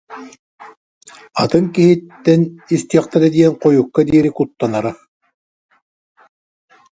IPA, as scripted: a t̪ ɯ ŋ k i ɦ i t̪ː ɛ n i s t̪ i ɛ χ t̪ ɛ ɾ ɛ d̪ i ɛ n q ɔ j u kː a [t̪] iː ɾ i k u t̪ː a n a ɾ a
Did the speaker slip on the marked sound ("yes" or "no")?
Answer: yes